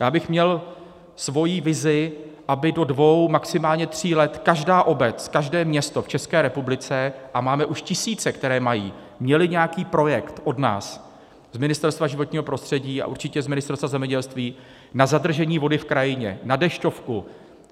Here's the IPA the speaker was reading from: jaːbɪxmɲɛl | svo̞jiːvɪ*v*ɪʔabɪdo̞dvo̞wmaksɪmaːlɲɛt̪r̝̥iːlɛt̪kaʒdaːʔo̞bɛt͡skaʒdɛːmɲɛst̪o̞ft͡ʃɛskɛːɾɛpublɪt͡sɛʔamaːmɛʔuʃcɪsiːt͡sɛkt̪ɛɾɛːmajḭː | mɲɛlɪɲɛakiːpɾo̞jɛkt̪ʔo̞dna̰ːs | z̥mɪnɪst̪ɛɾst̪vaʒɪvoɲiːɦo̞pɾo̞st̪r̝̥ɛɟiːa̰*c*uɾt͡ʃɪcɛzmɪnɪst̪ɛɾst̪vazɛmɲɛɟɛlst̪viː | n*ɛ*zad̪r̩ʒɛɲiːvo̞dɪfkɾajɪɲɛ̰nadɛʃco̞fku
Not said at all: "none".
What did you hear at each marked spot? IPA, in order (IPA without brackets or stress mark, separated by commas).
z, ʔ, a